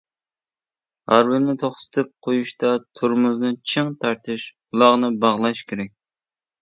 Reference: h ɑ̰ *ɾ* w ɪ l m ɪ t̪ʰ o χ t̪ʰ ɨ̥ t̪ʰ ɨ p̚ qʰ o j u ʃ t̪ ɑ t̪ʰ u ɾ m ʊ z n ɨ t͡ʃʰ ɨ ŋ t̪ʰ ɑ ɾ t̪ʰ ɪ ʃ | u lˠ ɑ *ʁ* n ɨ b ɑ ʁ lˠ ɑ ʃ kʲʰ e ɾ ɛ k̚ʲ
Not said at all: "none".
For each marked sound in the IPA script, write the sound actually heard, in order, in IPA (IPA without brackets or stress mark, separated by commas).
ɾ, ʁ